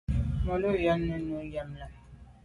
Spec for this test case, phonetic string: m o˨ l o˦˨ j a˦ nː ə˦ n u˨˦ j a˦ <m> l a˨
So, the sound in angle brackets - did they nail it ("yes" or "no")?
yes